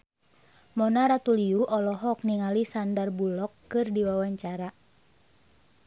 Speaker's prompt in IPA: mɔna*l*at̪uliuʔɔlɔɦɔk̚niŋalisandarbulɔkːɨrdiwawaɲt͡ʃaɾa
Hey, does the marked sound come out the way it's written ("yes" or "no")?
no